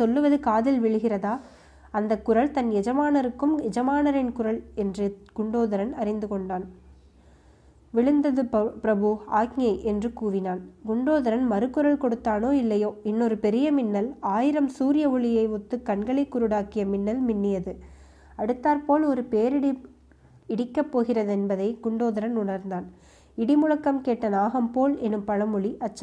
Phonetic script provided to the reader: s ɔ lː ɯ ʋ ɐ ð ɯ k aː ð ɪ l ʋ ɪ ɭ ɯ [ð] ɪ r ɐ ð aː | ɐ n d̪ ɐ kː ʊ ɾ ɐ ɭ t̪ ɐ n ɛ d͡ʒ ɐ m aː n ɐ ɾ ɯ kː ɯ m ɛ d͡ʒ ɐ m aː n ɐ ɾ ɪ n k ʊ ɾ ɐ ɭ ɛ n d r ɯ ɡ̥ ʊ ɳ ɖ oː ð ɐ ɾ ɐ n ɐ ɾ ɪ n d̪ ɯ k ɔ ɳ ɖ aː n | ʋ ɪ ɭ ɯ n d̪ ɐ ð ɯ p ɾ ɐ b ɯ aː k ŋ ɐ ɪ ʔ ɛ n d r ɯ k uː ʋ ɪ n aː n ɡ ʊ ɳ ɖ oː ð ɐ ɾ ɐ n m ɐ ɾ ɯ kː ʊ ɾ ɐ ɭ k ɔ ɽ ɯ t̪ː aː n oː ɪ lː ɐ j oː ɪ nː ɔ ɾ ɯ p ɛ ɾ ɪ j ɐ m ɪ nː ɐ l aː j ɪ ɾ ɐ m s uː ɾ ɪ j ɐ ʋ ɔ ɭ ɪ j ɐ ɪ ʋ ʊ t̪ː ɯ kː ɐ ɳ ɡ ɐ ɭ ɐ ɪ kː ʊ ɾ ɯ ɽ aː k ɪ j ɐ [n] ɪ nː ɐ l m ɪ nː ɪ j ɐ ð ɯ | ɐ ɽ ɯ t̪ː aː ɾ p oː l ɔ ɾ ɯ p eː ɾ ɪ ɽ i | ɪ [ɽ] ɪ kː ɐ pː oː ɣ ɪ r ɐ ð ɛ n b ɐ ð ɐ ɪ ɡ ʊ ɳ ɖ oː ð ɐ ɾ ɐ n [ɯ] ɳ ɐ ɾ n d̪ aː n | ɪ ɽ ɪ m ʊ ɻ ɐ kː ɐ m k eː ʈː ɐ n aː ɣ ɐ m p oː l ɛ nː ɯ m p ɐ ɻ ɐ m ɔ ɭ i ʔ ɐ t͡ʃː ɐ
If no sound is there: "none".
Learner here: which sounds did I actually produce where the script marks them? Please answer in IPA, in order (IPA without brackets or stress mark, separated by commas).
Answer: ɣ, m, ɽ, ʊ